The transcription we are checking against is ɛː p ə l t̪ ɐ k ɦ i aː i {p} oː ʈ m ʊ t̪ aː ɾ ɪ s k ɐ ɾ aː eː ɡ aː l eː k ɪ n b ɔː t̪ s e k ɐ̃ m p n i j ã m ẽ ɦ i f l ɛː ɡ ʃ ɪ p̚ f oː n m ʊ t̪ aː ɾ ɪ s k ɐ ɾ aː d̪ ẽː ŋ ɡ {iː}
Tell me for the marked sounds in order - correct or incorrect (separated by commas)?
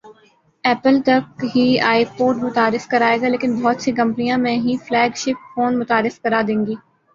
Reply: correct, correct